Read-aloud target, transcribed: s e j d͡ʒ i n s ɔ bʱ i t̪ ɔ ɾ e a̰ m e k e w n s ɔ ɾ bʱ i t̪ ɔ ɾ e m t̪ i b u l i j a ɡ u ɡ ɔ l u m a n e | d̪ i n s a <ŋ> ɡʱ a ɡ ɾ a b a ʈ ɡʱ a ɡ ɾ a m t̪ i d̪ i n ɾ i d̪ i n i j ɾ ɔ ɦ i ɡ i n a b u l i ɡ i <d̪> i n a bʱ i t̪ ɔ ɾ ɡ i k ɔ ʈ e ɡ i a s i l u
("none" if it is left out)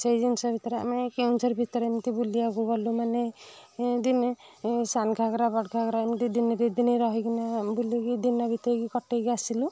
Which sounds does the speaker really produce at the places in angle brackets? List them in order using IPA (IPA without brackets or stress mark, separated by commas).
n, d̪